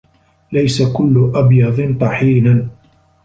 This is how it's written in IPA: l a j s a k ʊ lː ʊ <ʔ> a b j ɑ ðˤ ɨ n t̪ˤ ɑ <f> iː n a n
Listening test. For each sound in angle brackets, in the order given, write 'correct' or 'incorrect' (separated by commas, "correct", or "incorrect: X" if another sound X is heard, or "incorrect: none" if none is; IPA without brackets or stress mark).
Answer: correct, incorrect: ħ